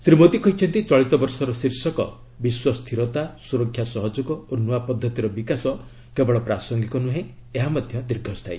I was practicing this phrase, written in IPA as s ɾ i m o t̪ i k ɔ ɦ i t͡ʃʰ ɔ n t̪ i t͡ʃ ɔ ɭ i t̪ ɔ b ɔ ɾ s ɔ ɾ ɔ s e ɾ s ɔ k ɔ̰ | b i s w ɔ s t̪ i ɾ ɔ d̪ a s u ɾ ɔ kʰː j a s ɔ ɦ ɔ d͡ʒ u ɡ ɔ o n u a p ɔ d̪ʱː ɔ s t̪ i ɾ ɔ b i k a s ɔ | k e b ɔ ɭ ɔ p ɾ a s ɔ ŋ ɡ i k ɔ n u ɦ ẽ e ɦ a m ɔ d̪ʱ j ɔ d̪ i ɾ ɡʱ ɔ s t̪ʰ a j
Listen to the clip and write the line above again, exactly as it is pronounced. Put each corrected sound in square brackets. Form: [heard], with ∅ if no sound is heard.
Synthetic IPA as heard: s ɾ i m o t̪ i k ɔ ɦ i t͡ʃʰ ɔ n t̪ i t͡ʃ ɔ ɭ i t̪ ɔ b ɔ ɾ s ɔ ɾ ɔ s [i] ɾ s ɔ k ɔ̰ | b i s w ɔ s [t̪ʰ] i ɾ ɔ [t̪] a s u ɾ ɔ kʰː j a s ɔ ɦ ɔ d͡ʒ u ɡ ɔ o n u a p ɔ d̪ʱː ɔ [∅] t̪ i ɾ ɔ b i k a s ɔ | k e b ɔ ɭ ɔ p ɾ a s ɔ ŋ ɡ i k ɔ n u ɦ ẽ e ɦ a m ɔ d̪ʱ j ɔ d̪ i ɾ ɡʱ ɔ s t̪ʰ a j